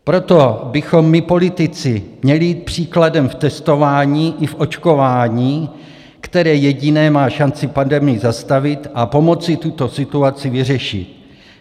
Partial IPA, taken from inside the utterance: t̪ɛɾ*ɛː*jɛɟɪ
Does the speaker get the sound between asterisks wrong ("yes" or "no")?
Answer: no